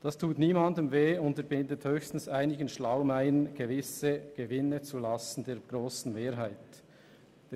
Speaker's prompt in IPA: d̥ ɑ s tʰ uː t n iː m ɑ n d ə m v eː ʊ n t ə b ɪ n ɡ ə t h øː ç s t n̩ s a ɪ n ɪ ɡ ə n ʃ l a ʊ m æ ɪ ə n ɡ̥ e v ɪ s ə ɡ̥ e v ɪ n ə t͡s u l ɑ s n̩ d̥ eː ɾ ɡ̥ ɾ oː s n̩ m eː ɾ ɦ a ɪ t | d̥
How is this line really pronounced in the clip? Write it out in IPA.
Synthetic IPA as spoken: d̥ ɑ s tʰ uː t n iː m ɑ n d ə m v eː ʊ n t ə b ɪ n d ə t h øː ç s t n̩ s a ɪ n ɪ ɡ ə n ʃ l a ʊ m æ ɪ ə n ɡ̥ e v ɪ s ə ɡ̥ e v ɪ n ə t͡s u l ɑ s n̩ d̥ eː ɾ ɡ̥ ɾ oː s n̩ m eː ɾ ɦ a ɪ t | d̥